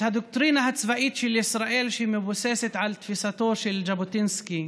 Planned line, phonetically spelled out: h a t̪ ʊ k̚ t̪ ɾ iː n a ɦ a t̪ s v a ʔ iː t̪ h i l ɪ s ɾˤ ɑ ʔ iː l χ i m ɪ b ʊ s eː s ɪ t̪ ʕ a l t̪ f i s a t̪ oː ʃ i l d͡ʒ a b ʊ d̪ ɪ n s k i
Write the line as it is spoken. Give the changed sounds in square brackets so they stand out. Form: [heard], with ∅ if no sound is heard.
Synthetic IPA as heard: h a [d̪] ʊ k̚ t̪ ɾ iː n a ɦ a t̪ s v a ʔ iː t̪ [ʃ] i l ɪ s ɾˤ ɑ ʔ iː l [ʃ] i m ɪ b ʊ s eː s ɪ t̪ ʕ a l t̪ f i s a t̪ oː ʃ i l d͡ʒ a b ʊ [t̪] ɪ n s k i